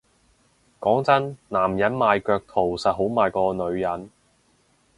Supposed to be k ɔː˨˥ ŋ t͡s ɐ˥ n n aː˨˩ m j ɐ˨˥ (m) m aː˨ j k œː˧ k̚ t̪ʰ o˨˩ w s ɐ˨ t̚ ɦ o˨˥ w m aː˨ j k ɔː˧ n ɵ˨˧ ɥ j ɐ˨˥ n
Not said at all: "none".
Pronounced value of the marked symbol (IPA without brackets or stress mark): n